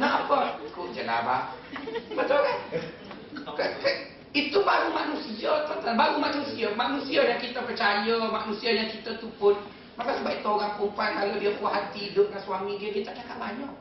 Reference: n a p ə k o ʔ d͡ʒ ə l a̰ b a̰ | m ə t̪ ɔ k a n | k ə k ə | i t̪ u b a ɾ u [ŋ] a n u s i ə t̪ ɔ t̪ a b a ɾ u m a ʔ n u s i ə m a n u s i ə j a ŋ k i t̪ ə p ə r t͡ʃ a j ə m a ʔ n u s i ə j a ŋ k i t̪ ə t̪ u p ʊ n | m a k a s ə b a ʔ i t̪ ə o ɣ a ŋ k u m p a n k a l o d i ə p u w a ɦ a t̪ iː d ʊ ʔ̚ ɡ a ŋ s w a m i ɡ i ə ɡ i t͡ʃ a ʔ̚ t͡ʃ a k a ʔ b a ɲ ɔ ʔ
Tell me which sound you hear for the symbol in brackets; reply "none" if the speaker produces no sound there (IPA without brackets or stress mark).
m